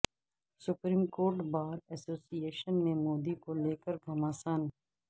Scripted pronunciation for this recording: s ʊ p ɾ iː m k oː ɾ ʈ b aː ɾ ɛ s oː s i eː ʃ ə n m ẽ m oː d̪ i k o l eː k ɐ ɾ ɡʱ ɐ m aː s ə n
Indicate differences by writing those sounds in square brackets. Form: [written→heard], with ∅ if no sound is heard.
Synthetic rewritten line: s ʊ p ɾ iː m k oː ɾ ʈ b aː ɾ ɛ s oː s i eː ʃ ə n m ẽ m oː d̪ i k o l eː k [ɐ→ə] ɾ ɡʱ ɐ m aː s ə n